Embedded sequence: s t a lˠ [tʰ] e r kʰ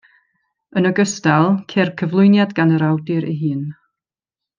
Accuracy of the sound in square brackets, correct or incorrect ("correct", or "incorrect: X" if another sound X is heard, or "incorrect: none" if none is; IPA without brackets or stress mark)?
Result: incorrect: kʰ